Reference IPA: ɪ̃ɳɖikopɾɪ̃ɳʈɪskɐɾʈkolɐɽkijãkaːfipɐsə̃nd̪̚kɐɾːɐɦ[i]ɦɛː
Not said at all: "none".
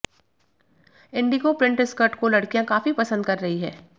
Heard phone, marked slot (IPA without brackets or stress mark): i